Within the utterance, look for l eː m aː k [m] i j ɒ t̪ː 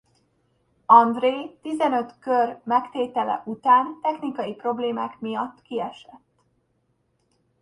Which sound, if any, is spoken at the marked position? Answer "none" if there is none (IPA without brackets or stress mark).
m